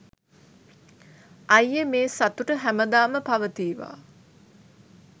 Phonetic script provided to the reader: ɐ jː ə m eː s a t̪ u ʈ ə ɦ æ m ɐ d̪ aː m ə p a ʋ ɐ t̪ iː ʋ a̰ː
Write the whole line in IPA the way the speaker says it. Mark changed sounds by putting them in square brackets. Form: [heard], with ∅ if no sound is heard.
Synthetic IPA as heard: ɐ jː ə m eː s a t̪ u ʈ ə ɦ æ m [ə] d̪ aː m ə p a ʋ [ə] t̪ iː ʋ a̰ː